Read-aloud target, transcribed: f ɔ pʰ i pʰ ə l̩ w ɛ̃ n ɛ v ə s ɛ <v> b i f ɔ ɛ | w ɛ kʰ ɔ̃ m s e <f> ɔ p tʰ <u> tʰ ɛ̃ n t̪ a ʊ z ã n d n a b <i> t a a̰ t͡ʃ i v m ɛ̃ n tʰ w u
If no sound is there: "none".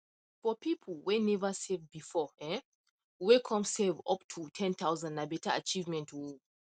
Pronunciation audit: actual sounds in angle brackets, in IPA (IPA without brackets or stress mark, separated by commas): v, v, u, ɛ